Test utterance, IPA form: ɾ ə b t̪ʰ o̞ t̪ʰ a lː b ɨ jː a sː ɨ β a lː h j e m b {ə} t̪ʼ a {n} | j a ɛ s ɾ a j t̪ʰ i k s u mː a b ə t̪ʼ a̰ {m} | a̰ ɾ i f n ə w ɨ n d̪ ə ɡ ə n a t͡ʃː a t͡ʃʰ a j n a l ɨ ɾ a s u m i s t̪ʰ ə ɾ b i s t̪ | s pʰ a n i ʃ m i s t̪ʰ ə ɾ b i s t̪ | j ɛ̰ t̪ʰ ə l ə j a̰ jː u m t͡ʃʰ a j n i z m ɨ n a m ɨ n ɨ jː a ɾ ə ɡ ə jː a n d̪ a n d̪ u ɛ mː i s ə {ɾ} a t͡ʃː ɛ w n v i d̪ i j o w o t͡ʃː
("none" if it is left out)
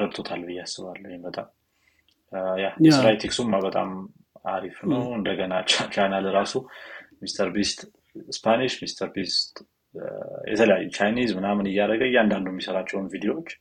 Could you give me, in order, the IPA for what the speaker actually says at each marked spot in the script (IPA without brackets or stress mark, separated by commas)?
ə, m, m, ɾ